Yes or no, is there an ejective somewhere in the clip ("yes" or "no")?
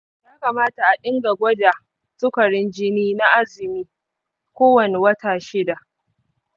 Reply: no